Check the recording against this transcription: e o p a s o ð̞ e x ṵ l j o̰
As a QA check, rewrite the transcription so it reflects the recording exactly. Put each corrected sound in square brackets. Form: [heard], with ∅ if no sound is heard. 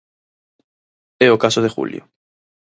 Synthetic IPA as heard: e o [k] a s o ð̞ e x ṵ l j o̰